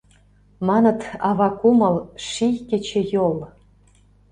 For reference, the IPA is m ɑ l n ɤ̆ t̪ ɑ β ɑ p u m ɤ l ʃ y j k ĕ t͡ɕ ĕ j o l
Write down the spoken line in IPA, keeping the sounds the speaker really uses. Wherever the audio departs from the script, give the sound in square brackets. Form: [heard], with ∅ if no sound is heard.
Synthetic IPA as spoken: m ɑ [∅] n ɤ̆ t̪ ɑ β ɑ [k] u m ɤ l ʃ [i] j k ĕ t͡ɕ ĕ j o l